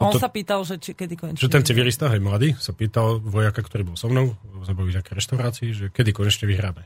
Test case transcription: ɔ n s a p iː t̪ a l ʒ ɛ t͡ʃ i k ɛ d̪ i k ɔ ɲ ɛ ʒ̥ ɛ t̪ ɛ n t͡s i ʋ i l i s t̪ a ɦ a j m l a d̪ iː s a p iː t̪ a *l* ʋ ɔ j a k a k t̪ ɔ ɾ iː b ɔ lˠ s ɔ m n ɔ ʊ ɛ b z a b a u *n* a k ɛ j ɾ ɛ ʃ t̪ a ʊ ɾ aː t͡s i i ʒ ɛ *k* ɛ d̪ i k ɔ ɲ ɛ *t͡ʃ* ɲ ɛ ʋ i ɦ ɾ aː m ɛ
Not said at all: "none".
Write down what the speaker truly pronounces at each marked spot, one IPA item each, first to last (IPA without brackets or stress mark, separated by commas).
l, ɲ, k, t͡ʃ